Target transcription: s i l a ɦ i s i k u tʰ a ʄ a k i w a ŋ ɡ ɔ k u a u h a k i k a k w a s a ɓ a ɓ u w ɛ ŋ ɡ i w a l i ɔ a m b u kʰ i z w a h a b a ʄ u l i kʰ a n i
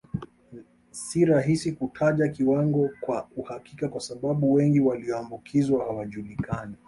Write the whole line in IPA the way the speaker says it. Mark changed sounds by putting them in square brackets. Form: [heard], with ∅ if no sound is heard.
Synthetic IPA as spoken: s i [ɾ] a ɦ i s i k u tʰ a ʄ a k i w a ŋ ɡ ɔ k [w] a u h a k i k a k w a s a ɓ a ɓ u w ɛ ŋ ɡ i w a l i ɔ a m b u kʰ i z w a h a [w] a ʄ u l i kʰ a n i